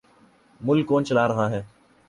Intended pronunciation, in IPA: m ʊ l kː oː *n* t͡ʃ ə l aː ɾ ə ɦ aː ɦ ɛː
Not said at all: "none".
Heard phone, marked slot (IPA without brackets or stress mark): n